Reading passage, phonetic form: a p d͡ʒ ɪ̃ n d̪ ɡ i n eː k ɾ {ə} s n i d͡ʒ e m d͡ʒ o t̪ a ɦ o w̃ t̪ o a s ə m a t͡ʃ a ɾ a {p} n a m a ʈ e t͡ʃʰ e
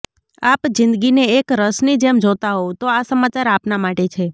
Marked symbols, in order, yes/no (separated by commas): yes, yes